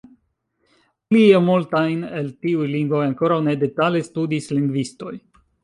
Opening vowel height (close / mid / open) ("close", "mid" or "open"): close